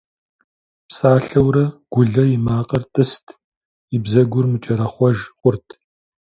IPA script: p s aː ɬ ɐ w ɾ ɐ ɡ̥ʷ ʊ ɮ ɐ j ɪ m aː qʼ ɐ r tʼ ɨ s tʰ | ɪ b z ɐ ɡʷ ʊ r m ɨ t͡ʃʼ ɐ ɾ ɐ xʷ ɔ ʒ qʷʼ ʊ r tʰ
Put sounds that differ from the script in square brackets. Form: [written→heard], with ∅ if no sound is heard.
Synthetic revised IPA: p s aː ɬ ɐ w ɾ ɐ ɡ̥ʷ ʊ ɮ ɐ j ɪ m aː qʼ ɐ r tʼ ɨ s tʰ | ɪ b z ɐ ɡʷ ʊ r m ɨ t͡ʃʼ ɐ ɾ ɐ [xʷ→χʷ] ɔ ʒ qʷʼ ʊ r tʰ

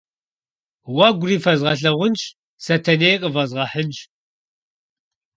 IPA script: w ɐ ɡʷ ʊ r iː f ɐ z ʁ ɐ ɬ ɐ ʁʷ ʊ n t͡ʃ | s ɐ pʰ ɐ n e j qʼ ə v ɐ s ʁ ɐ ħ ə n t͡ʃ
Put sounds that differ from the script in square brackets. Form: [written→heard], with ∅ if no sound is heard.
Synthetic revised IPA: w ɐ ɡʷ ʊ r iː f ɐ z ʁ ɐ ɬ ɐ ʁʷ ʊ n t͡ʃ | s ɐ [pʰ→tʰ] ɐ n e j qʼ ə v ɐ [s→z] ʁ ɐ ħ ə n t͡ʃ

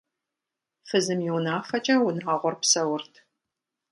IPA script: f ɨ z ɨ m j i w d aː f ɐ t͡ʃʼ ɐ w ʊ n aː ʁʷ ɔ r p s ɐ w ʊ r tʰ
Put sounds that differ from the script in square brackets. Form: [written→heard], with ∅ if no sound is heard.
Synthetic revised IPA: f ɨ z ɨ m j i w [d→n] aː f ɐ t͡ʃʼ ɐ w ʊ n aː ʁʷ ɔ r p s ɐ w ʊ r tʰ

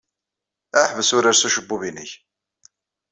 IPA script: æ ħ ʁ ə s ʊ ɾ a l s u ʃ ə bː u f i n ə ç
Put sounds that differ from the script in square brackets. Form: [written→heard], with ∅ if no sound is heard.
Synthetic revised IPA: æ ħ [ʁ→v] ə s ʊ ɾ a [l→ɾ] s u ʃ ə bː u [f→v] i n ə ç

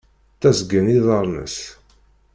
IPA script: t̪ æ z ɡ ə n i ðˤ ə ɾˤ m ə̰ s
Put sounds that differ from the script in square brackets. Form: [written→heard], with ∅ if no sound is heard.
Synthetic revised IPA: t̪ æ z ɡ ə n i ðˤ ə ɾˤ [m→n] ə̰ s

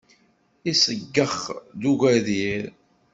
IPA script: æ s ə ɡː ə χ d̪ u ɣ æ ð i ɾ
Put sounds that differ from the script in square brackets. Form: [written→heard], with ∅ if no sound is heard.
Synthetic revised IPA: [æ→i] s ə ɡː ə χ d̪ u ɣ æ ð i ɾ

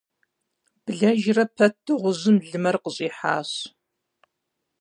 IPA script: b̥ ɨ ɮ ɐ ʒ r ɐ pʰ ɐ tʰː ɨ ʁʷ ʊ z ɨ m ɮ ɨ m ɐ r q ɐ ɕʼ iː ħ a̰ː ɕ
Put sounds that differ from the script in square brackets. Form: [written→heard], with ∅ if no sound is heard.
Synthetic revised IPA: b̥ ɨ ɮ ɐ ʒ r ɐ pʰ ɐ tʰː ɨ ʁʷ ʊ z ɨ m ɮ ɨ m ɐ r q [ɐ→ə] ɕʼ iː ħ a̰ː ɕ

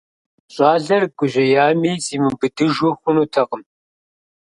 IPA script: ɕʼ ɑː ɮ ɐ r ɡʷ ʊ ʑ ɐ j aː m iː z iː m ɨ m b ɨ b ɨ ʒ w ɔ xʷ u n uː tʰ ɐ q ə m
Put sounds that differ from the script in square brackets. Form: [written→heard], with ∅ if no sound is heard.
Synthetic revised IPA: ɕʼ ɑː ɮ ɐ r ɡʷ ʊ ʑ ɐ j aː m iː z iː m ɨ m b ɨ [b→d] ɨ ʒ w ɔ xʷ [u→ʊ] n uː tʰ ɐ q ə m

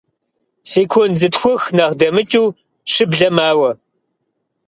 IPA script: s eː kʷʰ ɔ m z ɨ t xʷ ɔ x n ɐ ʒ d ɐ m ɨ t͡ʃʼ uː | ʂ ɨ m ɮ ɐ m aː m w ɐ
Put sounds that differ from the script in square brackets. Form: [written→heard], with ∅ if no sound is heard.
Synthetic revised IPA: s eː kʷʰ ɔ [m→n] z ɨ t xʷ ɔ x n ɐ [ʒ→ʁ] d ɐ m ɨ t͡ʃʼ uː | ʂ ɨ [m→b] ɮ ɐ m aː [m→∅] w ɐ

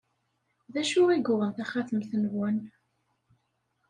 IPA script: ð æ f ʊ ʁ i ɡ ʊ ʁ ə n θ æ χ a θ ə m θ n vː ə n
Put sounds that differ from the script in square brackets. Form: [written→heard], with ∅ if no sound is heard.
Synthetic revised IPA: ð æ [f→ʃ] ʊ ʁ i ɡ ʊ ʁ ə n θ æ χ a θ ə m θ n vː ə n

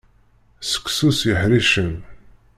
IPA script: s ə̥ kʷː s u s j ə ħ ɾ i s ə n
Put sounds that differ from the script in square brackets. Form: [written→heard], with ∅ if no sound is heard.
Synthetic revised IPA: s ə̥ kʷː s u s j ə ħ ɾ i [s→ʃ] ə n

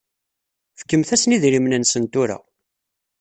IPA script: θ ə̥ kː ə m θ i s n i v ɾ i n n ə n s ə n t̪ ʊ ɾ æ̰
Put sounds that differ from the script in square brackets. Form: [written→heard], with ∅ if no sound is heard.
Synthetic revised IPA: [θ→f] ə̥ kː ə m θ [i→æ] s n i [v→ð] ɾ i [n→m] n ə n s ə n t̪ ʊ ɾ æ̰

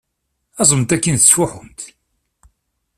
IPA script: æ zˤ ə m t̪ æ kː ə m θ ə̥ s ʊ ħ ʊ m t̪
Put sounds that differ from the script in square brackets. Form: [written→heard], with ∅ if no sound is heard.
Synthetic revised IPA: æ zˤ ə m t̪ æ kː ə [m→n] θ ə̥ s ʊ ħ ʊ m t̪

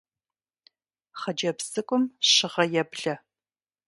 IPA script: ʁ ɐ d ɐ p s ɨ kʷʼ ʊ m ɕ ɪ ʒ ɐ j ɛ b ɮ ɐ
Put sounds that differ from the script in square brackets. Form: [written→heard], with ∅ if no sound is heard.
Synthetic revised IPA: [ʁ→χ] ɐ [d→d͡ʒ] ɐ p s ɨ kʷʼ ʊ m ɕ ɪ [ʒ→ʁ] ɐ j ɛ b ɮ ɐ

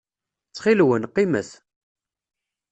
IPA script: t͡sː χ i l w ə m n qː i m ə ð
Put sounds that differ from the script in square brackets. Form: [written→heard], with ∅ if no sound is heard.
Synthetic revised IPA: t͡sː χ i l w ə [m→∅] n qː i m ə [ð→θ]

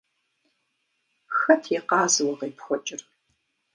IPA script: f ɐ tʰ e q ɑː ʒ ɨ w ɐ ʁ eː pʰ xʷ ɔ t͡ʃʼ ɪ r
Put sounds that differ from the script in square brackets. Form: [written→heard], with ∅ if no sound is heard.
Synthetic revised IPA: [f→x] ɐ tʰ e q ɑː [ʒ→z] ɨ w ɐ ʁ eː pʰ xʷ ɔ t͡ʃʼ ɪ r

